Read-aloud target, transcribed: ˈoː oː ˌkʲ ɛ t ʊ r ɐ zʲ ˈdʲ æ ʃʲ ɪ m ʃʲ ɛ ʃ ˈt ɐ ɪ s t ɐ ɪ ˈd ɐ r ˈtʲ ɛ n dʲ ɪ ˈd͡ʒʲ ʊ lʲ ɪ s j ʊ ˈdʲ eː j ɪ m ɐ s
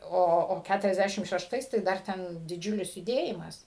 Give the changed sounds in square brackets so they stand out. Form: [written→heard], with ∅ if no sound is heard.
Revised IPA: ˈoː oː ˌkʲ [ɛ→æ] t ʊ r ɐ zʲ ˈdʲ æ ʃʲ ɪ m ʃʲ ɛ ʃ ˈt ɐ ɪ s t ɐ ɪ ˈd ɐ r ˈtʲ ɛ n dʲ ɪ ˈd͡ʒʲ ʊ lʲ ɪ s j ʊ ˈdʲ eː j ɪ m ɐ s